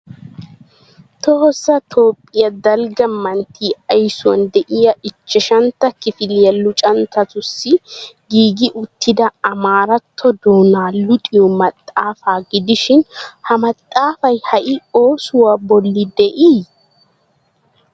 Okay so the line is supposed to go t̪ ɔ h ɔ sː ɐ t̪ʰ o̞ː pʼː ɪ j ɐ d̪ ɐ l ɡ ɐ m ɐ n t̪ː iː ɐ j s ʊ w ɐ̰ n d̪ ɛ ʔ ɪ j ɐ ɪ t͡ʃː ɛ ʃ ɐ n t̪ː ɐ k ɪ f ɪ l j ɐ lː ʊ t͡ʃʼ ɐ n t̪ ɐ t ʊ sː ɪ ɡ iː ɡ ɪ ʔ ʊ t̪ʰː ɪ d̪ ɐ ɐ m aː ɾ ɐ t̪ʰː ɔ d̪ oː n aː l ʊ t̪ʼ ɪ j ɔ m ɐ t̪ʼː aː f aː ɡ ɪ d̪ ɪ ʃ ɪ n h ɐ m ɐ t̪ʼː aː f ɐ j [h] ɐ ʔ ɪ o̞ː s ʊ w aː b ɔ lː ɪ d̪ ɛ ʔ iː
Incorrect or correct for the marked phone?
correct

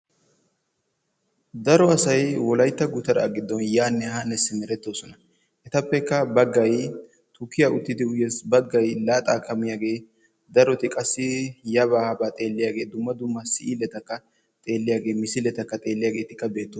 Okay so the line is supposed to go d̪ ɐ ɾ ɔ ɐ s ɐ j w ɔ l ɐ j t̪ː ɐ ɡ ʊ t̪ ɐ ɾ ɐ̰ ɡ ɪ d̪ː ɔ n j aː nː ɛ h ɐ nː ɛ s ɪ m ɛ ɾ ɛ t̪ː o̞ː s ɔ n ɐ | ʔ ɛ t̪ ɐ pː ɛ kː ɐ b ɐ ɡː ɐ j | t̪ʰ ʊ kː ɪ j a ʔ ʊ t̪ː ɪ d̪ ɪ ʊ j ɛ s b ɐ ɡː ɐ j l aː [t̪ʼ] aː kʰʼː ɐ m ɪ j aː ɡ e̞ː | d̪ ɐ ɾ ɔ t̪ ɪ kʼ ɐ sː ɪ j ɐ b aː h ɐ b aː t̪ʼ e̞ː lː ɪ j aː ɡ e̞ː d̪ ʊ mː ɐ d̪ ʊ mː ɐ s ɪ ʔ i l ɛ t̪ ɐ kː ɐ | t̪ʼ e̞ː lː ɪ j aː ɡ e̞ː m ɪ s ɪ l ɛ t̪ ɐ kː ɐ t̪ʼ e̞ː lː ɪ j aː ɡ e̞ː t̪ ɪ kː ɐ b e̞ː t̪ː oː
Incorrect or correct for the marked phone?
correct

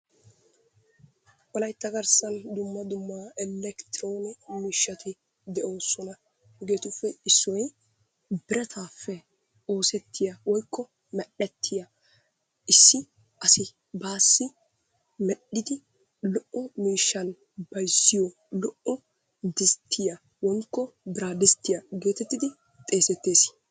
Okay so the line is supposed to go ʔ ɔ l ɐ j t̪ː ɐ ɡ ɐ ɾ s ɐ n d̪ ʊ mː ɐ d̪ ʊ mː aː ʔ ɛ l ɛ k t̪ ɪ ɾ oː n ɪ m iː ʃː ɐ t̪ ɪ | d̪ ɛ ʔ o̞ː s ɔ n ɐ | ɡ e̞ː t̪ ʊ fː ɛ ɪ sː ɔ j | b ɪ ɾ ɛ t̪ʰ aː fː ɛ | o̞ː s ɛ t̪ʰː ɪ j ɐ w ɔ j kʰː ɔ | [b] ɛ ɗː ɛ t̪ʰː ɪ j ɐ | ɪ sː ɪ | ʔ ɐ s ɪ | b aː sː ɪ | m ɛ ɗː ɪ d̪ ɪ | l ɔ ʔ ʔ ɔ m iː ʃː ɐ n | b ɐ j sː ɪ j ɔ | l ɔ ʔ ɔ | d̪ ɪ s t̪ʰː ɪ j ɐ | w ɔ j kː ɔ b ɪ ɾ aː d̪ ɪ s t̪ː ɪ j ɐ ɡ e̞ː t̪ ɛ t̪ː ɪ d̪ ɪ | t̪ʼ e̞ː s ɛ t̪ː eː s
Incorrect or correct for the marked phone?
incorrect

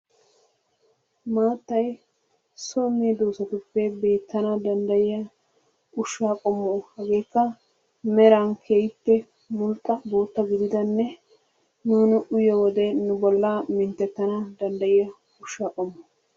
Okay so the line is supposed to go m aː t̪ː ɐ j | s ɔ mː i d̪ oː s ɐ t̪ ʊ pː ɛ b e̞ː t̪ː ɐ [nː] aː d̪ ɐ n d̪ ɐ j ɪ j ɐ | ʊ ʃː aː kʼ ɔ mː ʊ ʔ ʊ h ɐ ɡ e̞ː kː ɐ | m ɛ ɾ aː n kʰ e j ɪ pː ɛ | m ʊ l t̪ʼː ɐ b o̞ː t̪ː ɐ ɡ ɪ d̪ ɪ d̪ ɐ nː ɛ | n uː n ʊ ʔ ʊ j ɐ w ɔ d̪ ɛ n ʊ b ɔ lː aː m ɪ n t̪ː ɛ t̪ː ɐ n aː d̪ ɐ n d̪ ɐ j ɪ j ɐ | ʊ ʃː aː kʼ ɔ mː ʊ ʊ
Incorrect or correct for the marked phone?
incorrect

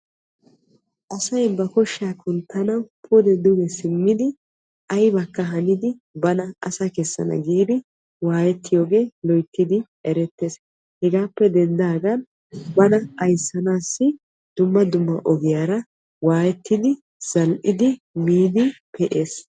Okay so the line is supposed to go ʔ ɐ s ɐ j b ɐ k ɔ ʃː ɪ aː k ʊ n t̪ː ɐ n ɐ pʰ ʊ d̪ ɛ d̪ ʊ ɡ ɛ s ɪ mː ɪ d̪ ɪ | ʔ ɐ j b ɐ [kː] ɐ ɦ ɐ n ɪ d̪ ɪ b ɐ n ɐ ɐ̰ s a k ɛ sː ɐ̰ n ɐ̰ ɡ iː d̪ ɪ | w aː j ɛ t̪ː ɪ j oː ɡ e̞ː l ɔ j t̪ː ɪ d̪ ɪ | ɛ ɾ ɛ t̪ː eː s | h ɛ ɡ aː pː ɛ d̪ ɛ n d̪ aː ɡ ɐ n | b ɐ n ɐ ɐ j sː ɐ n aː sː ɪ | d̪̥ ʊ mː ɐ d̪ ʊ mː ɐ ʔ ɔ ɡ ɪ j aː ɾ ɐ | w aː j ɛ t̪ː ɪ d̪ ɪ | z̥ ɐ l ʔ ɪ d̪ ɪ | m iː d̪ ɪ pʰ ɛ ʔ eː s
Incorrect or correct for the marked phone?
correct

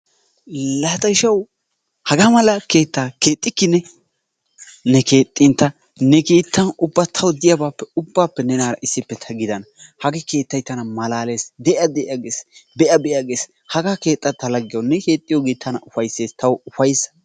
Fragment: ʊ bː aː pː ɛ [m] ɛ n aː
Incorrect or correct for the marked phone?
incorrect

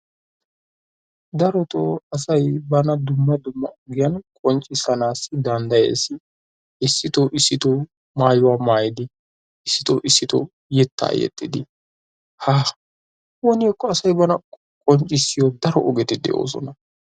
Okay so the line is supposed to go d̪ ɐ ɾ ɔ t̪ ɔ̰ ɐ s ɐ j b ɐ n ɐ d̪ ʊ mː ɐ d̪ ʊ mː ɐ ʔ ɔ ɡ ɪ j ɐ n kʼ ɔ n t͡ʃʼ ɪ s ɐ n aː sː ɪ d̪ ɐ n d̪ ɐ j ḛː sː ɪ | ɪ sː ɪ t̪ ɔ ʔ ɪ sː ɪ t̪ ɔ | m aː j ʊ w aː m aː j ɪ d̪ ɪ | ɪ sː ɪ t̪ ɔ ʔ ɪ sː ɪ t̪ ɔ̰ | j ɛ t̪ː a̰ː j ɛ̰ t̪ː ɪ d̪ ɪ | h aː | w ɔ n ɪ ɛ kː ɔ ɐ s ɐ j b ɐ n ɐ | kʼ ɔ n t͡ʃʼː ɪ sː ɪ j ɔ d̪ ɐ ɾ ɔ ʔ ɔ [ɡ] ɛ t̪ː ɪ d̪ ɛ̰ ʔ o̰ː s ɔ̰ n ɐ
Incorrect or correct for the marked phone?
correct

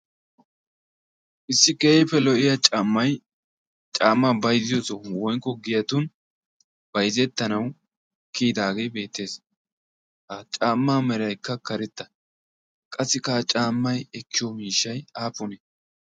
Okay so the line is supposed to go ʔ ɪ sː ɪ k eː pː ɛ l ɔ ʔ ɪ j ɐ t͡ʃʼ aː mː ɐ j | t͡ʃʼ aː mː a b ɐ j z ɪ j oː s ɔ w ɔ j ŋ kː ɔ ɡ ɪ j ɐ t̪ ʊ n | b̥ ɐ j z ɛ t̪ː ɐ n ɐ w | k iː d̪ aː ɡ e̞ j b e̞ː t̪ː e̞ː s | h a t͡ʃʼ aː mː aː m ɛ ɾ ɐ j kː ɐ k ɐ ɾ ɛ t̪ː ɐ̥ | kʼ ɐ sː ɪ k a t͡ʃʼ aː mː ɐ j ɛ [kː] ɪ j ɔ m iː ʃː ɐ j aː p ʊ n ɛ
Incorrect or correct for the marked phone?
correct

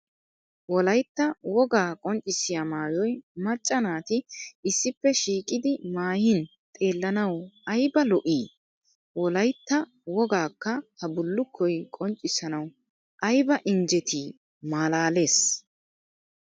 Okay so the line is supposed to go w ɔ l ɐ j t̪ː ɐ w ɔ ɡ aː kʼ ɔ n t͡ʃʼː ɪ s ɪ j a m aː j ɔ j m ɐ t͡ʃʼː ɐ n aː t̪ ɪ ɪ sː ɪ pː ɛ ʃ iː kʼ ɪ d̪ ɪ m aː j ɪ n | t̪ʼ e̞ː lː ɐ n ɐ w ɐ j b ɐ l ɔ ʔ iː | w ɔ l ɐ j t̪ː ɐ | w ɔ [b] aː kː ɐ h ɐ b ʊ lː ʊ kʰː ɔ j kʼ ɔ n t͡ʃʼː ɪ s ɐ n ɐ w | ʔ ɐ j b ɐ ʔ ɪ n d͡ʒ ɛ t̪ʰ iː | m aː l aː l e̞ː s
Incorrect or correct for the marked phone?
incorrect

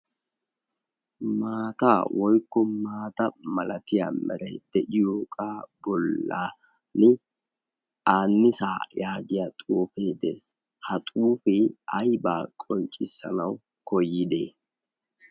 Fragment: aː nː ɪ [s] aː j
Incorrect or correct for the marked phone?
correct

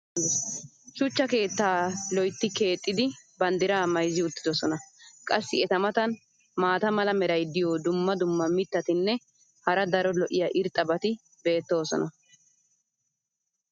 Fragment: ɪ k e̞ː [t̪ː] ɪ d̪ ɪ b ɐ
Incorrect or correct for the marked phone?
incorrect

